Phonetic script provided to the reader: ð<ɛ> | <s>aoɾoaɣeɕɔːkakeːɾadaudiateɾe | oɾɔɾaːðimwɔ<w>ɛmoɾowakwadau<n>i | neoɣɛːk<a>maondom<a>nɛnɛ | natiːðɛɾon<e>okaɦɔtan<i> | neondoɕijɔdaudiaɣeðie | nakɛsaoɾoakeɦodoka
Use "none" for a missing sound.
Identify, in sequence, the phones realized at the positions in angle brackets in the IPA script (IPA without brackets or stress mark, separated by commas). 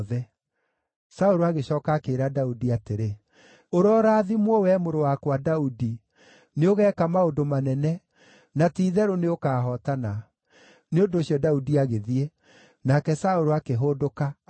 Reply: ɛ, s, w, d, a, a, e, a